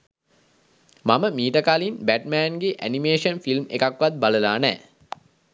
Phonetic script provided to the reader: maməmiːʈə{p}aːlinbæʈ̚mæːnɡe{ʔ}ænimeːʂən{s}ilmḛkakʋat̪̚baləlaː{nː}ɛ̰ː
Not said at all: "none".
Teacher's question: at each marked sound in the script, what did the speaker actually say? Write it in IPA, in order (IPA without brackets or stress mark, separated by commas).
k, ʔ, f, n